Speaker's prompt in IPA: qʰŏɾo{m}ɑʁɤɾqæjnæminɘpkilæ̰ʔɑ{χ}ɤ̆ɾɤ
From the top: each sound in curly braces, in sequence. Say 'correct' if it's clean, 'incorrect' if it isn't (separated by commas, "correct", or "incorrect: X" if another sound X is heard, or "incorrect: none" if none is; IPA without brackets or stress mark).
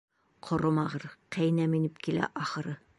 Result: correct, correct